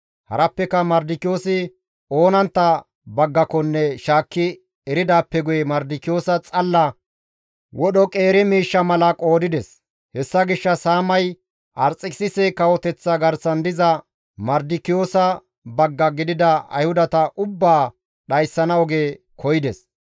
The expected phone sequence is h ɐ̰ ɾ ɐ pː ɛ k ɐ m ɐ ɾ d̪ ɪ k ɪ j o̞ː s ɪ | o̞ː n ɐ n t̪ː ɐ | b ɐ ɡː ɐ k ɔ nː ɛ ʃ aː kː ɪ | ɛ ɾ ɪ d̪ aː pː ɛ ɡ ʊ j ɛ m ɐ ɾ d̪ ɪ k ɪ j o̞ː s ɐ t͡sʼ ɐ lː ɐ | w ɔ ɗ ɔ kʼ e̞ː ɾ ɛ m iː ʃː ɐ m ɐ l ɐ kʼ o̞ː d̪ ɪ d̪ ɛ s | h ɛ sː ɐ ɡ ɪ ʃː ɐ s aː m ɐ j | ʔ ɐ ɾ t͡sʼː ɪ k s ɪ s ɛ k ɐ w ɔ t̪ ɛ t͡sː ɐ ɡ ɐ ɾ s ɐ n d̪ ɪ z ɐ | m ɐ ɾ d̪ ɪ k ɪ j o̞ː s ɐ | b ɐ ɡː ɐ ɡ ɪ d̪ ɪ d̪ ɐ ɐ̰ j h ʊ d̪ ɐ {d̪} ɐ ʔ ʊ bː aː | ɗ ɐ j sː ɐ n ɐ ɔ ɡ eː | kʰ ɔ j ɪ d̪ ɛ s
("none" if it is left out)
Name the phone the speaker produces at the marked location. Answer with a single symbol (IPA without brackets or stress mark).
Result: t̪